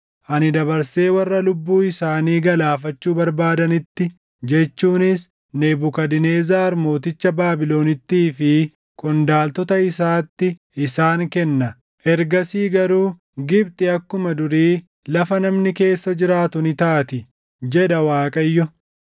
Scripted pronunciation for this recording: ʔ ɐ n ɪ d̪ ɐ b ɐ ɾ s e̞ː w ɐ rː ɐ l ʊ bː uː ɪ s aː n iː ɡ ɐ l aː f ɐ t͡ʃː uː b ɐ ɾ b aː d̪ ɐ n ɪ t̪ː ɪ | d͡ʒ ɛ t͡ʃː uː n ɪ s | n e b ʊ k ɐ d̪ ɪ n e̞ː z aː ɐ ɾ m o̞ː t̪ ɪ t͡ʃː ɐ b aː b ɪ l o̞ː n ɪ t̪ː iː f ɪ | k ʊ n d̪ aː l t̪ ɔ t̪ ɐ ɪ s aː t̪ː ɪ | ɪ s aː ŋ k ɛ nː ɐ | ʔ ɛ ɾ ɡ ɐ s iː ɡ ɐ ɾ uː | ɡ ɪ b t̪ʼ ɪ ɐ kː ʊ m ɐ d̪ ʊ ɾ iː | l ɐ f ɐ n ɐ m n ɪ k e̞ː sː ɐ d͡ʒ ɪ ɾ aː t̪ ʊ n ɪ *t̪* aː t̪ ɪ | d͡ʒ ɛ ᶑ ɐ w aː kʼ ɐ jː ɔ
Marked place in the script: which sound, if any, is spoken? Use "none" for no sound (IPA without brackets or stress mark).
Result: t̪